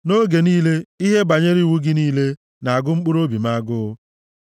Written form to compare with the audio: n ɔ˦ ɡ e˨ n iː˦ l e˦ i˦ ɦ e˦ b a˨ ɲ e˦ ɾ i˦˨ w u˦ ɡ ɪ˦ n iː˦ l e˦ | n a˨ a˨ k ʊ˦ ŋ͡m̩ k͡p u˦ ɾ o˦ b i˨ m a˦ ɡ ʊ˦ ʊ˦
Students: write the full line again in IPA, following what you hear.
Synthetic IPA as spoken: n o˦ ɡ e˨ n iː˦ l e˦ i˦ ɦ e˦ b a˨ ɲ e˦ ɾ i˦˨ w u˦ ɡ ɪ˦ n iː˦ l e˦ | n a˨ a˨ ɡ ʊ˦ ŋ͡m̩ k͡p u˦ ɾ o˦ b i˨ m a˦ ɡ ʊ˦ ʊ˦